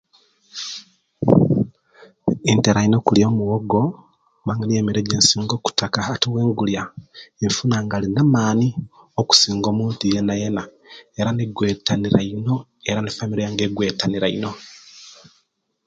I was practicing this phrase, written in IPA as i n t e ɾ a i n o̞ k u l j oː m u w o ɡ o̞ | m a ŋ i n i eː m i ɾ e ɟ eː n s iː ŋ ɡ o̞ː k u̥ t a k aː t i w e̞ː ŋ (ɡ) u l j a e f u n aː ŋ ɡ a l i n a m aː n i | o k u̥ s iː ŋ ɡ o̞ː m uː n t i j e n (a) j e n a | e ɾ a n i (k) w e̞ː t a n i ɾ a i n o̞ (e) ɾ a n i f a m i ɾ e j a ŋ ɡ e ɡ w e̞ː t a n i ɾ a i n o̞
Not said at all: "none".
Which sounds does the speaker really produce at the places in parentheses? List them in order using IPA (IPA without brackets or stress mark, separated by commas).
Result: ɡ, a, ɡ, e